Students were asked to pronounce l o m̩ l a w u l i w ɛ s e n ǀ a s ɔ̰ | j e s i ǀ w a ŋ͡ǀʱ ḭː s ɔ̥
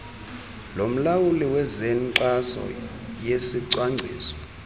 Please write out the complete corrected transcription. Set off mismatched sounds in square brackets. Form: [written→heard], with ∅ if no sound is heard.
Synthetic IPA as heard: l o m̩ l a w u l i w ɛ [s→z] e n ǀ a s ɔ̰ | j e s i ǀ w a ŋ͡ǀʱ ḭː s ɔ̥